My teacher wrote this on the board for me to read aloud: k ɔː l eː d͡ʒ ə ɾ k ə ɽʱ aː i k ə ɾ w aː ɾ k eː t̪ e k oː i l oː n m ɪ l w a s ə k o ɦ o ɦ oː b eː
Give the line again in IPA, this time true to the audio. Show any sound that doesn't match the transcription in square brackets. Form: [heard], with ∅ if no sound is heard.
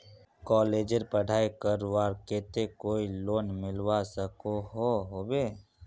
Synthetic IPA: k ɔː l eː d͡ʒ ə ɾ [p] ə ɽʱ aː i k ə ɾ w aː ɾ k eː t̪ e k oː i l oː n m ɪ l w a s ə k o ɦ o ɦ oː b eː